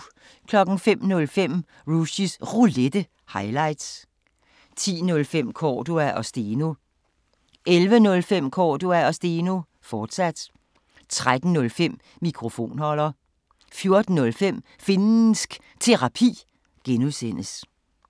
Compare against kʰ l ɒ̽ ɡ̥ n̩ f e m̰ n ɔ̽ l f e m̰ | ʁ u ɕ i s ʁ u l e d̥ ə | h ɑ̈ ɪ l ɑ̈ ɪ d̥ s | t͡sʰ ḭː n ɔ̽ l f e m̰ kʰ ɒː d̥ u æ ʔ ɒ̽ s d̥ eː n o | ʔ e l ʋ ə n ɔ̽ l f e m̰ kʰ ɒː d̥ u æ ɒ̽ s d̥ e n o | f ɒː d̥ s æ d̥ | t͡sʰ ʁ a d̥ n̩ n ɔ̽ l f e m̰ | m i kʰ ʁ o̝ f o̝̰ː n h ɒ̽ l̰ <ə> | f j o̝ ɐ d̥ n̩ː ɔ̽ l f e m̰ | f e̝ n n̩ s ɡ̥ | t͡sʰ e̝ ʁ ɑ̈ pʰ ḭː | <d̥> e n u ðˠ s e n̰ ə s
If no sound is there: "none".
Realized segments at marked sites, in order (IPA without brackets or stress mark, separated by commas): ɐ, ɡ̥